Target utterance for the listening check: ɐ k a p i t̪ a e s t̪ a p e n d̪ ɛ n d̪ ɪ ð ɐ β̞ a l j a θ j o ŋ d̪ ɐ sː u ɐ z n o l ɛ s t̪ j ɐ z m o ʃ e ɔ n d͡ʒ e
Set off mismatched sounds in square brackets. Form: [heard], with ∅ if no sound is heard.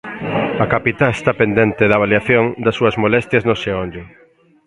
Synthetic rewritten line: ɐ k a p i t̪ a e s t̪ a p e n d̪ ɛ n [t̪] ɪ ð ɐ β̞ a l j a θ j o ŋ d̪ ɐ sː u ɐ z [m] o l ɛ s t̪ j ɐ z [n] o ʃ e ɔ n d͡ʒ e